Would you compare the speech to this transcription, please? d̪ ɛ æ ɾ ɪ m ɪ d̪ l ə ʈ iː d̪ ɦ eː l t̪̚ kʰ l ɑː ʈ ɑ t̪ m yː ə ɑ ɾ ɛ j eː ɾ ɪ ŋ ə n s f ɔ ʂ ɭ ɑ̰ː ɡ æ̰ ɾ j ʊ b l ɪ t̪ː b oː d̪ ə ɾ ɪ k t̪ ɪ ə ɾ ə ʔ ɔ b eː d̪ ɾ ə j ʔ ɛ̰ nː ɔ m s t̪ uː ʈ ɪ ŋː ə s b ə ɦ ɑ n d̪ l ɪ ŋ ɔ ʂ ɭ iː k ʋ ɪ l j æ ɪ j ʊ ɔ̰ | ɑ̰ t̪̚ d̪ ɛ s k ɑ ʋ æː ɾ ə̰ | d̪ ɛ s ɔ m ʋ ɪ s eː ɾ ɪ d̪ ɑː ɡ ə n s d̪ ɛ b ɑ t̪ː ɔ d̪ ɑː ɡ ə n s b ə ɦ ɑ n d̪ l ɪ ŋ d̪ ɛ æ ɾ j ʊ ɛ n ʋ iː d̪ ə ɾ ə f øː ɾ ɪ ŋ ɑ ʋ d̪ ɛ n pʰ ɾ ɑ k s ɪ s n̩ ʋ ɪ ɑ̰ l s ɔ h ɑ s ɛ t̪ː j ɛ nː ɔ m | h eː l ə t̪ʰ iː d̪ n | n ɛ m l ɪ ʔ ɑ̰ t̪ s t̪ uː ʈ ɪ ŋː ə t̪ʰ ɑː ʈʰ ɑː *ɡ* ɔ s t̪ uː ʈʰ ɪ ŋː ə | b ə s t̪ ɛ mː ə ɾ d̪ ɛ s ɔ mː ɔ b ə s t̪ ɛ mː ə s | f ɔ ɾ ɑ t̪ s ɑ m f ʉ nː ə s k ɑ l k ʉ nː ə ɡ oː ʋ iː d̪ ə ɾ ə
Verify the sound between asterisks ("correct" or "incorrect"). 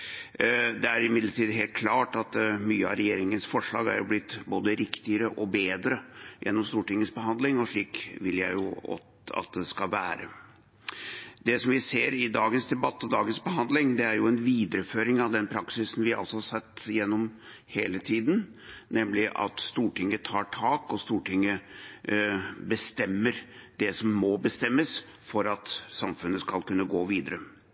incorrect